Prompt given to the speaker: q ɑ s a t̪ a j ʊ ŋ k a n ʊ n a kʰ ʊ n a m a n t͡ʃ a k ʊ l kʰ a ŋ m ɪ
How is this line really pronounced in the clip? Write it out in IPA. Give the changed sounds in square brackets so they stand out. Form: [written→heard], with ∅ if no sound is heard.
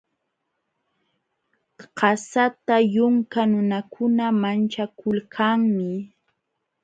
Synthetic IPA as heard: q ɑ s a t̪ a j ʊ ŋ k a n ʊ n a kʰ ʊ n a m a n t͡ʃ a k ʊ l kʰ a ŋ m ɪ